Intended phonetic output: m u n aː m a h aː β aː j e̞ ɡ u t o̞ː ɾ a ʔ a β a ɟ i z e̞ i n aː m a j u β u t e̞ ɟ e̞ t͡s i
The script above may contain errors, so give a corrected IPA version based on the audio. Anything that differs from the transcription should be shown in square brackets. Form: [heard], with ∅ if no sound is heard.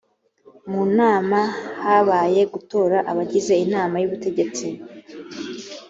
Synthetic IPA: m u n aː m a h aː β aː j e̞ ɡ u t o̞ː ɾ a ʔ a β a ɟ i z e̞ i n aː m a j u β u t e̞ ɟ e̞ t͡s i